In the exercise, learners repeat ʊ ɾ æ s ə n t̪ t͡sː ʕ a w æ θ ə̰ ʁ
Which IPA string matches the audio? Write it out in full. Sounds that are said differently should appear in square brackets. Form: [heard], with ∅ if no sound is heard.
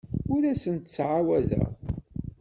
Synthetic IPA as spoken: ʊ ɾ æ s ə n t̪ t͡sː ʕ a w æ [ð] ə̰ ʁ